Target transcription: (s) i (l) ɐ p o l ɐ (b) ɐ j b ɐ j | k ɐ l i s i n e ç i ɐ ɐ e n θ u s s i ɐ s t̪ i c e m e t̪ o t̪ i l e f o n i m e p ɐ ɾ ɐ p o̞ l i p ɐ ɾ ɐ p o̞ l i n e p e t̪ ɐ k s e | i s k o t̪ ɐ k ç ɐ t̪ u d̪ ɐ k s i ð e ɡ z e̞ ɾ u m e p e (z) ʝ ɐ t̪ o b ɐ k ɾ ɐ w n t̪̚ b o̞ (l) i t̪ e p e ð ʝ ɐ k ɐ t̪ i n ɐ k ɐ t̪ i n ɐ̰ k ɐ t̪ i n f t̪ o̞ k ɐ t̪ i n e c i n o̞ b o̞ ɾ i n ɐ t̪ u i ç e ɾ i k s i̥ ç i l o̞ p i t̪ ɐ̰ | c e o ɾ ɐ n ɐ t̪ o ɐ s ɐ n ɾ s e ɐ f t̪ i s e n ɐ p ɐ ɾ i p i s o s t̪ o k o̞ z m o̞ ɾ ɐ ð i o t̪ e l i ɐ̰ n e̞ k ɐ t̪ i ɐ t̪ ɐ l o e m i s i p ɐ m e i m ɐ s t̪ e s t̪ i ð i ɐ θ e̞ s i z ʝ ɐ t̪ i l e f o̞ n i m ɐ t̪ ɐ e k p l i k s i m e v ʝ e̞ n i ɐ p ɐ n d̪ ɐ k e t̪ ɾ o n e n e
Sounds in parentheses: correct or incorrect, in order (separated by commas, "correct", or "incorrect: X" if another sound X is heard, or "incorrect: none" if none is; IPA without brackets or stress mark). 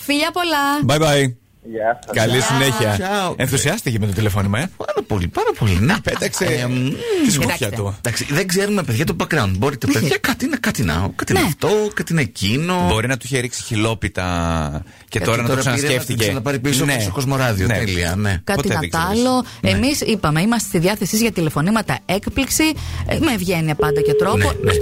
incorrect: f, incorrect: ʎ, correct, incorrect: ð, incorrect: ɾ